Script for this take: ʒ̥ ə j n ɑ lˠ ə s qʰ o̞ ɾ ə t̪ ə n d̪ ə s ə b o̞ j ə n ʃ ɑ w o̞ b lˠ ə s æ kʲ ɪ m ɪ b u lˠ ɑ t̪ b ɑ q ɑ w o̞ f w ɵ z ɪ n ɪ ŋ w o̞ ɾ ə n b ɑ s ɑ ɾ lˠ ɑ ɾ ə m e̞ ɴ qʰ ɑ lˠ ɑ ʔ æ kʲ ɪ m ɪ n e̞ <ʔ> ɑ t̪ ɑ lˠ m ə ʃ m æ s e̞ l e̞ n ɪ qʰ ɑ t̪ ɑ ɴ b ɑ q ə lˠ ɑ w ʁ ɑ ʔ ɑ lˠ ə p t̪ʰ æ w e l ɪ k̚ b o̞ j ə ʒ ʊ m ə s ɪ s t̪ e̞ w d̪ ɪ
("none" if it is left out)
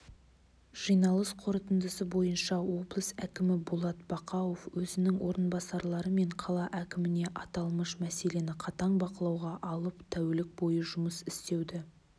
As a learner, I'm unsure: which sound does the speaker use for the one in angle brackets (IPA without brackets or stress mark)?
ʔ